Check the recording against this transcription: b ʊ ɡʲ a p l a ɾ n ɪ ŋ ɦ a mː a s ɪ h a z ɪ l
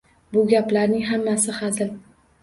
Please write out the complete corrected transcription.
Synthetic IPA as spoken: b ʊ ɡʲ a p l a ɾ n ɪ ŋ ɦ a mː a s ɪ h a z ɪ l